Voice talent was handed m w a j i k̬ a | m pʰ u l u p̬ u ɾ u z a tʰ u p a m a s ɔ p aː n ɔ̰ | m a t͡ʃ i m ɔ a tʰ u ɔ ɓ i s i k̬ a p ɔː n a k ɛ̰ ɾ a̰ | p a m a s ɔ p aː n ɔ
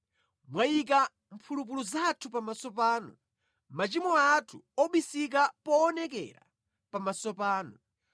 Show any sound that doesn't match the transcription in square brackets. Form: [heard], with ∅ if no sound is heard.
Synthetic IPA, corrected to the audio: m w a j i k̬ a | m pʰ u l u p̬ u [l] u z a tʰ u p a m a s ɔ p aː n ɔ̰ | m a t͡ʃ i m ɔ a tʰ u ɔ ɓ i s i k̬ a p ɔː n [ɛ] k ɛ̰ ɾ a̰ | p a m a s ɔ p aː n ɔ